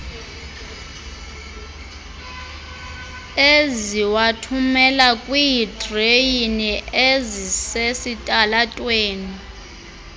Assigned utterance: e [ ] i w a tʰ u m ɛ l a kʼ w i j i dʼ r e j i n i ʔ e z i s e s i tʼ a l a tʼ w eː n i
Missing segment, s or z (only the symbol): z